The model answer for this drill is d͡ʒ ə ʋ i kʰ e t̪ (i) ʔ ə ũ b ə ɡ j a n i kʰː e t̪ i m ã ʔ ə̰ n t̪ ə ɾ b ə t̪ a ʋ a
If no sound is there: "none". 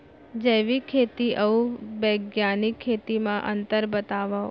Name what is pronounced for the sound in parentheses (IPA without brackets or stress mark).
i